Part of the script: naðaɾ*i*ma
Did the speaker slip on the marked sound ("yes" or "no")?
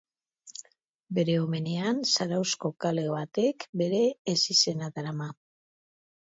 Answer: yes